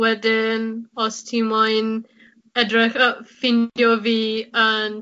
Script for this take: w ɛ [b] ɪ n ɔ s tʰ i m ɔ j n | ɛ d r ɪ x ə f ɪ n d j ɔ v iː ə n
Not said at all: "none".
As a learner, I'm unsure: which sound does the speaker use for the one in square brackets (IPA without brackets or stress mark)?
d